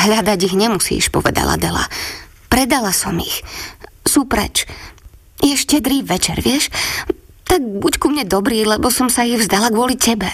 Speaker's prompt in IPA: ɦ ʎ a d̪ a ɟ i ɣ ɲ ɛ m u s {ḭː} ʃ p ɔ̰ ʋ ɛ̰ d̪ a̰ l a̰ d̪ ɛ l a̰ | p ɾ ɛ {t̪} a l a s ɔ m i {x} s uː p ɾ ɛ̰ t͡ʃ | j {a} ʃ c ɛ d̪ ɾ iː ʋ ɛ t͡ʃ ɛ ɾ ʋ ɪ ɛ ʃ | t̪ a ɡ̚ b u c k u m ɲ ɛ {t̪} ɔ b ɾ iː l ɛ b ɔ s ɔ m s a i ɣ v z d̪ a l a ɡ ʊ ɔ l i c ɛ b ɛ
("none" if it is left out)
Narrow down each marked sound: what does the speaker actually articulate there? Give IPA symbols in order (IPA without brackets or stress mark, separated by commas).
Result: ḭː, d̪, x, ɛ, d̪